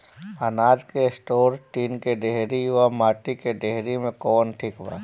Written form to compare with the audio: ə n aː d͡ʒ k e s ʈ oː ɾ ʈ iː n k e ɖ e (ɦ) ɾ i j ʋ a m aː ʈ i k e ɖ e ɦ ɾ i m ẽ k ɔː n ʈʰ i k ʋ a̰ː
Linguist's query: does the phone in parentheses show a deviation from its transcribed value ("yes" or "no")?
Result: no